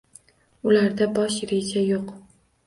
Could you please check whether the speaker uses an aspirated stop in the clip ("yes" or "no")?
no